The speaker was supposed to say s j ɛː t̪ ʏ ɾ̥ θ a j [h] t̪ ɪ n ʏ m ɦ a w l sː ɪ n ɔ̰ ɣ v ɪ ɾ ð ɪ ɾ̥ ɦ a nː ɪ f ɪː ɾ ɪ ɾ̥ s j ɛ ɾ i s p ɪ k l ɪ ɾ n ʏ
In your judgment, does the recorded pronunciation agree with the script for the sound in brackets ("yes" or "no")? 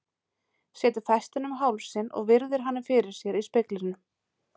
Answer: no